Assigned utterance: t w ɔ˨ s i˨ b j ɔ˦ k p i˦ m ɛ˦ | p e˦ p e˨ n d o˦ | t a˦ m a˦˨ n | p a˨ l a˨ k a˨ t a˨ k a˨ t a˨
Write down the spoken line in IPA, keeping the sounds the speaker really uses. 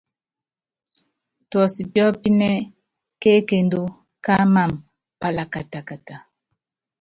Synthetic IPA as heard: t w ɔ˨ s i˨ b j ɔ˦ p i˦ n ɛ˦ | k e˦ k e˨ n d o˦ | k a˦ m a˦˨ m | p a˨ l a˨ k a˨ t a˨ k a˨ t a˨